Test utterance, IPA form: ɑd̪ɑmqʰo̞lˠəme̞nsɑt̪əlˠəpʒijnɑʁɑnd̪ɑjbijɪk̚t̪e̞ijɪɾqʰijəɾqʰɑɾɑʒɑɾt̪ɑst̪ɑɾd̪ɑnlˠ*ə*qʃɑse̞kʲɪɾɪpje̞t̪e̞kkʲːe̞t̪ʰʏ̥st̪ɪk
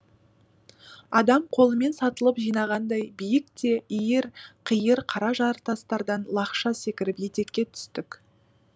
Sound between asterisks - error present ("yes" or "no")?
yes